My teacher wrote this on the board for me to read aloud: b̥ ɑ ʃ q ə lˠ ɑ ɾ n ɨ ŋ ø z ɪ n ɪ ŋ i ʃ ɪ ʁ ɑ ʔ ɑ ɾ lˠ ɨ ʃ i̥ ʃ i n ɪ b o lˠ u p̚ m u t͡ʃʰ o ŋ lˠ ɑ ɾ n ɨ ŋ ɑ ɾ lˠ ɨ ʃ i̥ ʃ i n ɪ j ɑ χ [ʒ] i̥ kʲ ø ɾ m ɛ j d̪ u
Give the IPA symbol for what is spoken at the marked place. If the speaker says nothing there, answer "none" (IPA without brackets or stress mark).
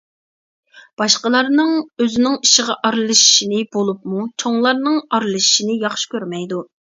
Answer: ʃ